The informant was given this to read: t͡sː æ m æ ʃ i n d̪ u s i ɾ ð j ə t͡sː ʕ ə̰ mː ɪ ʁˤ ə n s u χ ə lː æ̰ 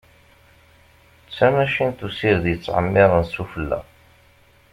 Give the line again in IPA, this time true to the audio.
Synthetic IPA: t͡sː æ m æ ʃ i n t̪ u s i ɾ ð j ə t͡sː ʕ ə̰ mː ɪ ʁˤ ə n s u f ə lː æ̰

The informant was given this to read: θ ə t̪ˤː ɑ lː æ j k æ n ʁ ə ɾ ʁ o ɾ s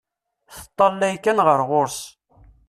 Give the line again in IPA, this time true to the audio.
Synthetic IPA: θ ə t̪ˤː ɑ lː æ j k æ n ʁ ə ɾ ʁ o ɾ s

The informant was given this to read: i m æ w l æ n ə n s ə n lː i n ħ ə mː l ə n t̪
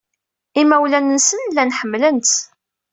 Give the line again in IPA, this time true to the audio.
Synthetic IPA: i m æ w l æ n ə n s ə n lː æ n ħ ə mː l ə n t̪

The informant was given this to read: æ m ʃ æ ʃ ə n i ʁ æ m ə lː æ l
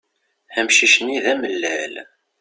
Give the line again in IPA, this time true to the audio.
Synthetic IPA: æ m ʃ i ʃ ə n i ð æ m ə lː æ l

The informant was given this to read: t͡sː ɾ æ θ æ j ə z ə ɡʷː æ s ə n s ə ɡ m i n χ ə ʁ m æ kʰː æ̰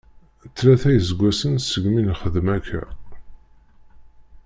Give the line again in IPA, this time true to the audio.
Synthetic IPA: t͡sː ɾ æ θ æ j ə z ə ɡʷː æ s ə n s ə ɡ m i n χ ə ð m æ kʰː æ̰

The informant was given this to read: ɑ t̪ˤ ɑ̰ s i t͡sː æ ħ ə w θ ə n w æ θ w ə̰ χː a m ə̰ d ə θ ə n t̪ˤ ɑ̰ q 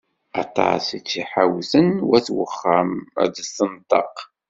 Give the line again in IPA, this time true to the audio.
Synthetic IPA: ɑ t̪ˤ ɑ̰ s i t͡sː i ħ a w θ ə n w æ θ w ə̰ χː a m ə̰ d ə s ə n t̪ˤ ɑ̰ q

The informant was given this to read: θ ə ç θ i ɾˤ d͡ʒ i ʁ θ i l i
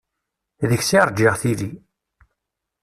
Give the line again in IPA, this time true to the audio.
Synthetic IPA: ð ə ç s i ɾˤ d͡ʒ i ʁ θ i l i

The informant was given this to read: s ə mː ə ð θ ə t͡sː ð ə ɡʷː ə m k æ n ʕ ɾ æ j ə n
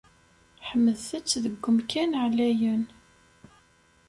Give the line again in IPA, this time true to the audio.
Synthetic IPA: ħ ə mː ə ð θ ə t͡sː ð ə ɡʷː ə m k æ n ʕ l æ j ə n

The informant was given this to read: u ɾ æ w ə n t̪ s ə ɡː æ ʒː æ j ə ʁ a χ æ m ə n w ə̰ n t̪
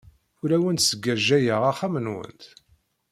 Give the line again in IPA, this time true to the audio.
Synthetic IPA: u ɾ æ w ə n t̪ s ə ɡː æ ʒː æ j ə ʁ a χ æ m ə n w ə̰ n t̪

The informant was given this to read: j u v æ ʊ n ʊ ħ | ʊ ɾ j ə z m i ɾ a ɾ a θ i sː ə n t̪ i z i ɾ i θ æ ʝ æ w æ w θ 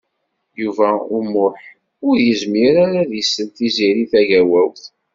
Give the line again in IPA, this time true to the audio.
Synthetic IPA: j u v æ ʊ m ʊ ħ | ʊ ɾ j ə z m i ɾ a ɾ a ð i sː ə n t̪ i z i ɾ i θ æ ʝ æ w æ w θ

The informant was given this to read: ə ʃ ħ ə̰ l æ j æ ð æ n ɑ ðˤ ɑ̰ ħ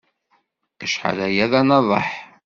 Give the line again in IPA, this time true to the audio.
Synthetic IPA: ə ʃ ħ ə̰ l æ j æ ð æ n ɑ ðˤ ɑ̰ ħ

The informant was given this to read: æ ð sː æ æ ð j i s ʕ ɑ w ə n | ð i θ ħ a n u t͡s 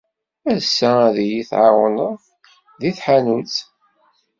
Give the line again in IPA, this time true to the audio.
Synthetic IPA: æ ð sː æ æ ð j i θ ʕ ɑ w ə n | ð i θ ħ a n u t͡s

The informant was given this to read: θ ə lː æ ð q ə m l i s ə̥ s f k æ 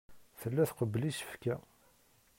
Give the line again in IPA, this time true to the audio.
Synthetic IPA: θ ə lː æ θ q ə b l i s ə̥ f k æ

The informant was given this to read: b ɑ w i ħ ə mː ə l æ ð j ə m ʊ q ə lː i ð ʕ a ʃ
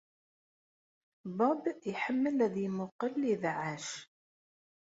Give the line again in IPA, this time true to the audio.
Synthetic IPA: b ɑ b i ħ ə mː ə l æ ð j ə m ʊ q ə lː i ð ʕ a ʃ

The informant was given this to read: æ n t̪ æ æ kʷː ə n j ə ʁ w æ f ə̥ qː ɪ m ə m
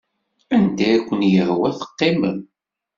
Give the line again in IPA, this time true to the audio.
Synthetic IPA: æ n d̪ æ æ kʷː ə n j ə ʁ w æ θ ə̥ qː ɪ m ə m

